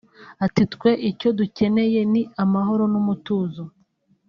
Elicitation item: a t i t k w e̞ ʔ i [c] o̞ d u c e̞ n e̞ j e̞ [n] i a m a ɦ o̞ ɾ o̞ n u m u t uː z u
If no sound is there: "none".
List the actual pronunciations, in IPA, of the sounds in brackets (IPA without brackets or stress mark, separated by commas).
c, n